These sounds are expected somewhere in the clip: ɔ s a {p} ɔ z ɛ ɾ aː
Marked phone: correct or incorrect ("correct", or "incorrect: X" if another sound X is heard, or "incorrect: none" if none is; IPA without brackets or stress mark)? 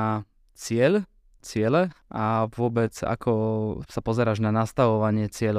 correct